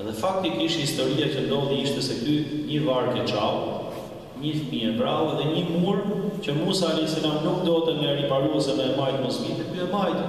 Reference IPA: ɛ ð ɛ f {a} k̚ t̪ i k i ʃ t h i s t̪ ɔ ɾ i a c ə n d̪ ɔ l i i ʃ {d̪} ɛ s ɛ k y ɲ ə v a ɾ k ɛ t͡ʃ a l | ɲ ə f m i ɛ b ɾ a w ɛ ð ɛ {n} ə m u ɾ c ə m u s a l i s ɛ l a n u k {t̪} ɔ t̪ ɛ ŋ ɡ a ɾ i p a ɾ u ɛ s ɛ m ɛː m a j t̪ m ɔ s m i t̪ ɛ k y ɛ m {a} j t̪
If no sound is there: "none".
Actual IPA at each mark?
a, t̪, ɲ, d̪, a

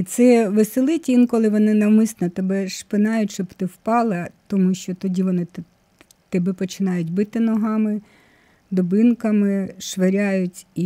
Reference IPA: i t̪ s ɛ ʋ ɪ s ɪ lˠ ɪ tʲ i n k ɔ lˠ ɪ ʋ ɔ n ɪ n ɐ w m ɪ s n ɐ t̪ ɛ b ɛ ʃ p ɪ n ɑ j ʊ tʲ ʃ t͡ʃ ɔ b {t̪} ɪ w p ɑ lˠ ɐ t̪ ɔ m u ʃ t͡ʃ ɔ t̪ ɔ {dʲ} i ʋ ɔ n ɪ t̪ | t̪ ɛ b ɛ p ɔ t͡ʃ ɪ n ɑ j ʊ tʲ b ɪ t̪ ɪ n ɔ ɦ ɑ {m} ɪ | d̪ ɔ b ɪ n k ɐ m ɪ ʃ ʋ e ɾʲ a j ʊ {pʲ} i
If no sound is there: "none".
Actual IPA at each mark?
t̪, dʲ, m, tʲ

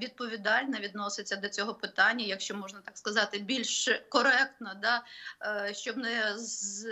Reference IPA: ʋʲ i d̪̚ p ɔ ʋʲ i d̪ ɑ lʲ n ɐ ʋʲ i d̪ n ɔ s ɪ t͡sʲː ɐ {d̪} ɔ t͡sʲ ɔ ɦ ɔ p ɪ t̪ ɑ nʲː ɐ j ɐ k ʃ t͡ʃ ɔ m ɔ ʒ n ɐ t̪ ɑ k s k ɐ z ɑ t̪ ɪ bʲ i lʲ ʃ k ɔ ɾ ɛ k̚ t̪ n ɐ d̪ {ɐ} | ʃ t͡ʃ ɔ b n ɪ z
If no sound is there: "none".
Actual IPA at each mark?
d̪, ɑ

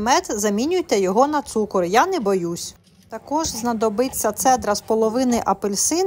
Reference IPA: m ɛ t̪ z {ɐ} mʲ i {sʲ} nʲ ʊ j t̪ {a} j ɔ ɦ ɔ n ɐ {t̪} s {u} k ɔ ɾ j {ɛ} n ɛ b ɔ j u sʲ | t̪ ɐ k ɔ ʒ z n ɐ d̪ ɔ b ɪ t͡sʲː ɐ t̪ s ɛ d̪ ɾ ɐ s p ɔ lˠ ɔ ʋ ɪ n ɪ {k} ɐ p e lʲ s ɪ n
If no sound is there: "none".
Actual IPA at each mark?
ɐ, none, ɛ, t̪, u, a, ʔ

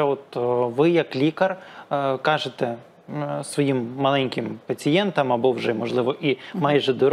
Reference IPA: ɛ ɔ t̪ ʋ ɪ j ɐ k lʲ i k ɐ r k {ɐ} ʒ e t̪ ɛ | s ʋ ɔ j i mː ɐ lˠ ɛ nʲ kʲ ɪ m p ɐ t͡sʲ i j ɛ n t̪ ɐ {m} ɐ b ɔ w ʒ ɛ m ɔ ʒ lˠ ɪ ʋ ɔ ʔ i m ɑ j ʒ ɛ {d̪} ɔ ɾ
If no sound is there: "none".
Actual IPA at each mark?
ɑ, m, d̪

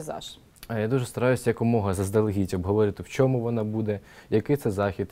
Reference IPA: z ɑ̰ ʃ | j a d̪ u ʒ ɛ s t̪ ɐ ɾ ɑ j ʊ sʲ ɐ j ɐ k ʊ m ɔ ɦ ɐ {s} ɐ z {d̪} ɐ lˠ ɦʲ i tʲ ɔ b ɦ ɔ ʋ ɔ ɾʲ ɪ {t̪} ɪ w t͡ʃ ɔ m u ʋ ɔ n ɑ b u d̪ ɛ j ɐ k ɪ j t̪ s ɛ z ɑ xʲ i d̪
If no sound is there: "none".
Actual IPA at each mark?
z, d̪, t̪

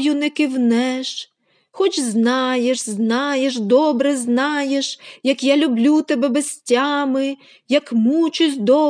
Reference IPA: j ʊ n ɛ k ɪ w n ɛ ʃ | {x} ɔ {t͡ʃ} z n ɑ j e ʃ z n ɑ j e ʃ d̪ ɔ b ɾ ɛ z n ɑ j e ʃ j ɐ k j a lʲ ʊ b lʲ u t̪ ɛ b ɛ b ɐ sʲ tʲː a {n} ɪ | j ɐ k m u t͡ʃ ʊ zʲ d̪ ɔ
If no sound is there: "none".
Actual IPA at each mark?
x, t͡ʃ, m

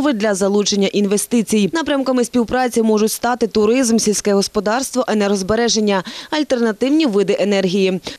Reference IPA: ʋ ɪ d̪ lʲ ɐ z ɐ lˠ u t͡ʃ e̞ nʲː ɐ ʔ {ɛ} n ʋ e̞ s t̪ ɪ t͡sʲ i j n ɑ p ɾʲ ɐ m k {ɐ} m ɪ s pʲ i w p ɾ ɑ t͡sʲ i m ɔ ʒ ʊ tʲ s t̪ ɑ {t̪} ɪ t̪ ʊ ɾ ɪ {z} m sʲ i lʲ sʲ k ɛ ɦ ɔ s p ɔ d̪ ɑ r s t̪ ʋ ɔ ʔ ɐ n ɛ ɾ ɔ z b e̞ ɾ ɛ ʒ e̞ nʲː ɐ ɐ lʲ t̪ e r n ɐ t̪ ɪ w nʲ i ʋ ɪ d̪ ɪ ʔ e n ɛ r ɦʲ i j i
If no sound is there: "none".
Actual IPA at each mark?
i, ɐ, t̪, z

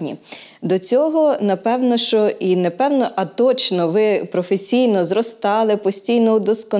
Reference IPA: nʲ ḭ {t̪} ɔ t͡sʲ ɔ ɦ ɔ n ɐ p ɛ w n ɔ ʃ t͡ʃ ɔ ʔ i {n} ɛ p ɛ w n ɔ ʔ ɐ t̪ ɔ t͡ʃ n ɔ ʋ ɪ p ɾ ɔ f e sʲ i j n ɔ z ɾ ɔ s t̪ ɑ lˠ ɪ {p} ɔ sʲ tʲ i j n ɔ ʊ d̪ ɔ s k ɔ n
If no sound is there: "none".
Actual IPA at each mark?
d̪, n, p

